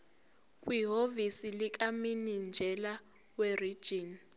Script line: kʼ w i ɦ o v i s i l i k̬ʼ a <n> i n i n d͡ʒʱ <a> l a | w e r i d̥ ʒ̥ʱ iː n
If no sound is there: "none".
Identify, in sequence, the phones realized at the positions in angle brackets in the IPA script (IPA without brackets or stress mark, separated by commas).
m, ɛ